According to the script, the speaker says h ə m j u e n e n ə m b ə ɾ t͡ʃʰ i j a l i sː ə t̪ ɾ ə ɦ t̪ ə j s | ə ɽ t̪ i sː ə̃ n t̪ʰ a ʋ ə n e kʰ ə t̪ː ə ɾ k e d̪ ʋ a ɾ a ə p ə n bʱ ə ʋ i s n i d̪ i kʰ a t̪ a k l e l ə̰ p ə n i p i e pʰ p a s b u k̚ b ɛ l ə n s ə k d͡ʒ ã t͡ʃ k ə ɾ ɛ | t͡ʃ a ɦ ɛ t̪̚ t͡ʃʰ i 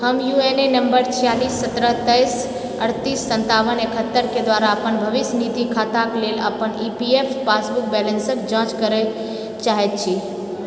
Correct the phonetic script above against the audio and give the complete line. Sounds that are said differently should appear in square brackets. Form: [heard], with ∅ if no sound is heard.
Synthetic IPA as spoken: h ə m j u e n e n ə m b ə ɾ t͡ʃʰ i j a l i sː ə t̪ ɾ ə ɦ t̪ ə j s | ə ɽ t̪ i sː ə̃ n [t̪] a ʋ ə n e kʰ ə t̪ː ə ɾ k e d̪ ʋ a ɾ a ə p ə n bʱ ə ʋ i s n i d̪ i kʰ a t̪ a k l e l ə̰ p ə n i p i e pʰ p a s b u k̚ b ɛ l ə n s ə k d͡ʒ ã t͡ʃ k ə ɾ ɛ | t͡ʃ a ɦ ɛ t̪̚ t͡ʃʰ i